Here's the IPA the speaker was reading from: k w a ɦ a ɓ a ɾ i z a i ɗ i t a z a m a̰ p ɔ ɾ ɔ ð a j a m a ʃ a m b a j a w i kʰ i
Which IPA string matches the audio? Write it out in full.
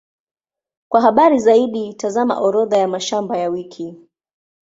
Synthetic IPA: k w a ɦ a ɓ a ɾ i z a i ɗ i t a z a m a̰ ʔ ɔ ɾ ɔ ð a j a m a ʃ a m b a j a w i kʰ i